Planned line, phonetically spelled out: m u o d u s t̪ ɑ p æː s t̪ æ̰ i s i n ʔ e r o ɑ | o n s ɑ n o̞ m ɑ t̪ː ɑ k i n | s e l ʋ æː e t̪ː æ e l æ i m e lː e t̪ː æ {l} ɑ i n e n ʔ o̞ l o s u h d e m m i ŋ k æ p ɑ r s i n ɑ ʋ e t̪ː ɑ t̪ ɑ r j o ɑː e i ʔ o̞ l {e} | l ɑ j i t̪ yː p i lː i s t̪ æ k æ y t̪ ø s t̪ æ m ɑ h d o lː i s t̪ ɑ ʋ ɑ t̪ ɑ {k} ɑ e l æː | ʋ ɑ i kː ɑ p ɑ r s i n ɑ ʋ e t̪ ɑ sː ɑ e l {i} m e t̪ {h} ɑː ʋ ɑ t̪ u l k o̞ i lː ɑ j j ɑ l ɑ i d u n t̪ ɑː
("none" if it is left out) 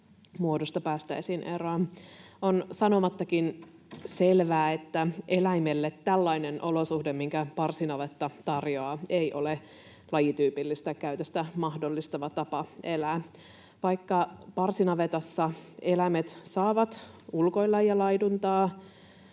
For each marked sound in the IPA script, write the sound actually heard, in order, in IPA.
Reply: lː, e, p, æ, s

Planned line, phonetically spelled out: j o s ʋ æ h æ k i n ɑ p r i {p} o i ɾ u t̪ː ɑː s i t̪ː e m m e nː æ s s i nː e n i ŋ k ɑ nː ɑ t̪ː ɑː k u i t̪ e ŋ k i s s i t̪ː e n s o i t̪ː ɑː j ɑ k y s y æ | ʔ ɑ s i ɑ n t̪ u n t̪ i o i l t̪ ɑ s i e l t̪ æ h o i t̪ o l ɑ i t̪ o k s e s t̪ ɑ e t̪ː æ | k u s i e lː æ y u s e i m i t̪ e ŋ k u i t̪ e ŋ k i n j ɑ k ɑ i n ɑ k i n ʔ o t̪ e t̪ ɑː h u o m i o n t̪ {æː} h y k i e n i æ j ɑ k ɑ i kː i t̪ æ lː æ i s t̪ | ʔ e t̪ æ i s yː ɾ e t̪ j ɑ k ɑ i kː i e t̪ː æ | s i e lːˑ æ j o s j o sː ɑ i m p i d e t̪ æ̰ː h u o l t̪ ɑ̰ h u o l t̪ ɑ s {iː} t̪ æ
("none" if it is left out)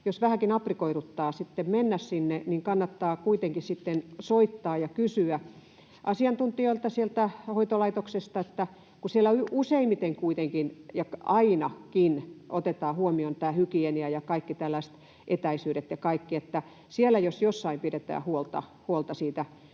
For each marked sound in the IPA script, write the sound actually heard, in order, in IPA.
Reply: k, æː, iː

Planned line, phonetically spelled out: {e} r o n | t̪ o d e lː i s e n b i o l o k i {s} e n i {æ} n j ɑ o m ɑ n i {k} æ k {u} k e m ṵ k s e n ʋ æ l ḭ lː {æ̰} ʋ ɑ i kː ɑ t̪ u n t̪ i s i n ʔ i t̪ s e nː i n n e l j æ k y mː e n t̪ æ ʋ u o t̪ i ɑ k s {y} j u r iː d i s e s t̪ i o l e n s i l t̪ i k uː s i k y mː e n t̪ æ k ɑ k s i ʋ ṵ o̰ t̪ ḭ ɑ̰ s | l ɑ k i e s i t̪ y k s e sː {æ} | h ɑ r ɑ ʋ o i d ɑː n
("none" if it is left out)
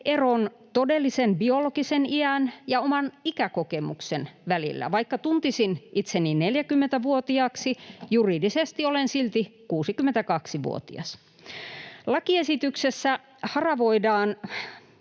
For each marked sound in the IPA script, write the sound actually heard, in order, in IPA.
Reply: e, s, æ, k, o, æ̰, i, æ

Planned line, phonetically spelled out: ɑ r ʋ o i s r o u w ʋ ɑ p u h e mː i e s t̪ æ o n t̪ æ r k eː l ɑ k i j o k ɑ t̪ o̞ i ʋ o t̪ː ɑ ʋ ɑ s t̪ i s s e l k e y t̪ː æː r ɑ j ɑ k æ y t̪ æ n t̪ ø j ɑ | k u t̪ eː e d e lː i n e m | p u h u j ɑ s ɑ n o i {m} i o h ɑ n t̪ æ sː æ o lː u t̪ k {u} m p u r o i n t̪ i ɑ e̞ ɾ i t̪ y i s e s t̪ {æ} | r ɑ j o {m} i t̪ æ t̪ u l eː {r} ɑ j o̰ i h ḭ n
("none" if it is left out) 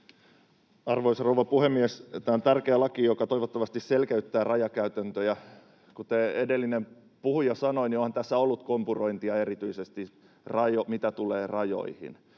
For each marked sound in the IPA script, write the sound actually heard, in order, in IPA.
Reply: n, o, i, m, r

